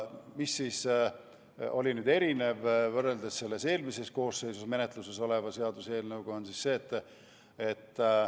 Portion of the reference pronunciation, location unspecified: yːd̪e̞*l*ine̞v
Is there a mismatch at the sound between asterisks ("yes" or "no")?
yes